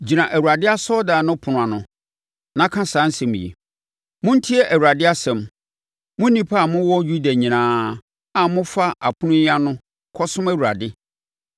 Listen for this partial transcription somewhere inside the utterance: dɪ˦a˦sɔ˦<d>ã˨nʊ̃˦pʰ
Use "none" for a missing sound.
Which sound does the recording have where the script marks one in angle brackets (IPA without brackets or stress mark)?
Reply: d